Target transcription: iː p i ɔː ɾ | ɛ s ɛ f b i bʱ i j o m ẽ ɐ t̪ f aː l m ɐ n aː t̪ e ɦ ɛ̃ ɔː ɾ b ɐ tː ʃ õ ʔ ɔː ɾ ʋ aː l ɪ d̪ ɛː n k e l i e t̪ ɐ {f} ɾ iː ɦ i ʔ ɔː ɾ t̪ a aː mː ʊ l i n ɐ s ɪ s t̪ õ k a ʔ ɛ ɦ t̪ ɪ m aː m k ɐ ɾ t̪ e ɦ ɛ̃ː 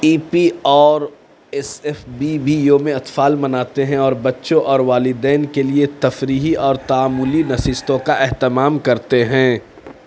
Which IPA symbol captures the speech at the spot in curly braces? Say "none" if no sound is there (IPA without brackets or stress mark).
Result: f